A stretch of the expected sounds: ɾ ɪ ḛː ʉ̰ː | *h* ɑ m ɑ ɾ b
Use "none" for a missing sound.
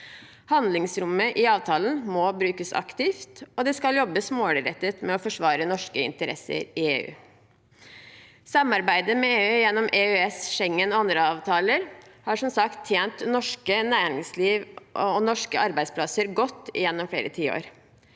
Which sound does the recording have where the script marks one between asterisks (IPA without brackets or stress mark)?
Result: s